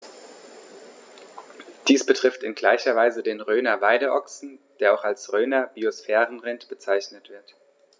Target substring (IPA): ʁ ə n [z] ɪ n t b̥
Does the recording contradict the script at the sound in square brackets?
yes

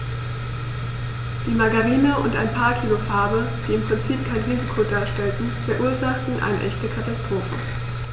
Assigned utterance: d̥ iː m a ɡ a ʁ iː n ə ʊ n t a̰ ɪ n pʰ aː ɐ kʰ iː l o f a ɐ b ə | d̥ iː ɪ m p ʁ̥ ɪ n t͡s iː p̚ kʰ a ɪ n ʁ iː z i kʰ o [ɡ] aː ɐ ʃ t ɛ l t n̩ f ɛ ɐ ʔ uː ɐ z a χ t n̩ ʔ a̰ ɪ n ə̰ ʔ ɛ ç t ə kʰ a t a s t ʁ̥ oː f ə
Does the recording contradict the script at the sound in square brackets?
yes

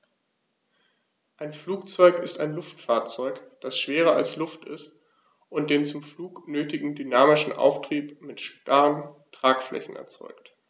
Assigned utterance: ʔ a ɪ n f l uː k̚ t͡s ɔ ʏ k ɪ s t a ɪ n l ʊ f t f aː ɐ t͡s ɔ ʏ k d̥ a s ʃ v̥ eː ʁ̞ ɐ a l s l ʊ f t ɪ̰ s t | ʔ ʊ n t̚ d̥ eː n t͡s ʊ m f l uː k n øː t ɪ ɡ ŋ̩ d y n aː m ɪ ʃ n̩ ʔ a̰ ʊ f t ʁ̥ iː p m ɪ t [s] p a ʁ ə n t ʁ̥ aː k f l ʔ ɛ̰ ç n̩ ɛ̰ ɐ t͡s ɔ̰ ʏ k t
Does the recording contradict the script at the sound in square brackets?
yes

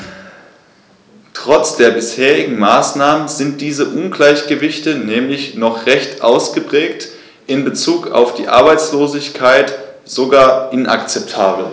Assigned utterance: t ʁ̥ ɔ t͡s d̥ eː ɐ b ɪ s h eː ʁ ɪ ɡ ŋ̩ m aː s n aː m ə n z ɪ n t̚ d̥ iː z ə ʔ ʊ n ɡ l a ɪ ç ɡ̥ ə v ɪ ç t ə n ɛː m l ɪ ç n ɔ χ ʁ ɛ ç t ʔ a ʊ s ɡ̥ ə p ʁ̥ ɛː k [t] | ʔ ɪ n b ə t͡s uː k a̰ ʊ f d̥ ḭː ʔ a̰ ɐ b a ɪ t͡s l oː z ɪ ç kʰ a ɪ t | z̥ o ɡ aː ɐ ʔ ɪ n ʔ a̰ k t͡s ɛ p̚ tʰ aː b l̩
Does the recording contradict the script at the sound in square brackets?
no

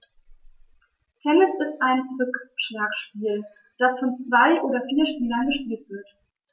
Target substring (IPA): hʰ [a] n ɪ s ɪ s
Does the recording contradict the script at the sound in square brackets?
yes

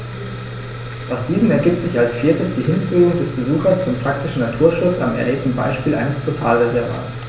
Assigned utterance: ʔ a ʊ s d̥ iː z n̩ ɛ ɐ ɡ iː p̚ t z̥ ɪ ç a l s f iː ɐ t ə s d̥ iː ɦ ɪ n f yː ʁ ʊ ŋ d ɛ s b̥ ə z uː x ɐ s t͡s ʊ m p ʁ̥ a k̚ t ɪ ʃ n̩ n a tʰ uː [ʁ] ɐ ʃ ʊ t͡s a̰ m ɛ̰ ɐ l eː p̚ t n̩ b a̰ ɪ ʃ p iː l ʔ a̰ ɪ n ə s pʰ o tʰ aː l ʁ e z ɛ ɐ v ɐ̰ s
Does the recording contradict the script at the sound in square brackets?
yes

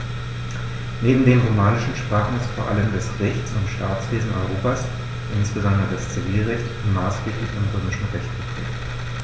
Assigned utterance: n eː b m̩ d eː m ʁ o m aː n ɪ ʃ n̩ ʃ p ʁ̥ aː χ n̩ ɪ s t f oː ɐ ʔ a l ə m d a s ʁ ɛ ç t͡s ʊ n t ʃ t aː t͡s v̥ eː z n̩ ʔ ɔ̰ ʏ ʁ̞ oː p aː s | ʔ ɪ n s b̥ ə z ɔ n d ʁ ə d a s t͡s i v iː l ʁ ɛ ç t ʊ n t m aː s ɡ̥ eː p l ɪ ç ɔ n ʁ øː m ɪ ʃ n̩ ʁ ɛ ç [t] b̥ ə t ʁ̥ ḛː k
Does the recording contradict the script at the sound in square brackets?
no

